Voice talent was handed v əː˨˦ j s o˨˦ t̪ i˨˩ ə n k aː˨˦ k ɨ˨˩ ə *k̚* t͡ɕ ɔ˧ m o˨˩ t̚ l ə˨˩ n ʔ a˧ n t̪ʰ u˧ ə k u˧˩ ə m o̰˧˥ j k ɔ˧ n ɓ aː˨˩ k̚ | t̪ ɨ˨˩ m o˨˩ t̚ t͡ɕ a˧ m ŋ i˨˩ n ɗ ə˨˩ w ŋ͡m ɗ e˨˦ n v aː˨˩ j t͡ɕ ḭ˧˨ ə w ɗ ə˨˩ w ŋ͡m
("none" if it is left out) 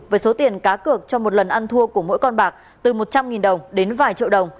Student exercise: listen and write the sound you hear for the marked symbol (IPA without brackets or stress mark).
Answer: k̚